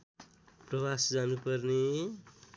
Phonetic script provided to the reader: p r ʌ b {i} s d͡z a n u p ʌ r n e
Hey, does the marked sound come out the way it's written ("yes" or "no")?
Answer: no